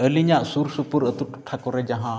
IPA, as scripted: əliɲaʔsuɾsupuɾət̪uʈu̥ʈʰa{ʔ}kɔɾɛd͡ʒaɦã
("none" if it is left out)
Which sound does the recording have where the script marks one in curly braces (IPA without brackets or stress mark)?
none